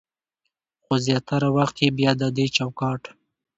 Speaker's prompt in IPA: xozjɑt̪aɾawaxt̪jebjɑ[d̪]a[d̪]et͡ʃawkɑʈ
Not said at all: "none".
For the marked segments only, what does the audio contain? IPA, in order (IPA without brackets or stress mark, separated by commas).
d̪, d̪